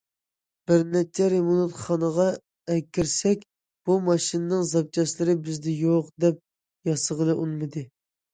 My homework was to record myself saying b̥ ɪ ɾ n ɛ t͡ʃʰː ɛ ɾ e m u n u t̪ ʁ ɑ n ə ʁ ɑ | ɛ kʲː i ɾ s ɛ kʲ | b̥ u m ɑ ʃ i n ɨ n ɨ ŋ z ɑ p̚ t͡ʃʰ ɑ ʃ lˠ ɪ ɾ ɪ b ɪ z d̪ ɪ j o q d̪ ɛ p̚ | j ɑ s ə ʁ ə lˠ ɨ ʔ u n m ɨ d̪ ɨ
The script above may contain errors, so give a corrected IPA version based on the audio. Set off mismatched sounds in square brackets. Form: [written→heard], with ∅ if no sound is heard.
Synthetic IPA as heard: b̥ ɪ ɾ n ɛ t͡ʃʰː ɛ ɾ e m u n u t̪ [ʁ→χ] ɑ n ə ʁ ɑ | ɛ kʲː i ɾ s ɛ kʲ | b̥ u m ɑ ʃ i n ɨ n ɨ ŋ z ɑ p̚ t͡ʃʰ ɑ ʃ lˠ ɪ ɾ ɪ b ɪ z d̪ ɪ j o q d̪ ɛ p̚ | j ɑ s ə ʁ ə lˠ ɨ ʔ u n m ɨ d̪ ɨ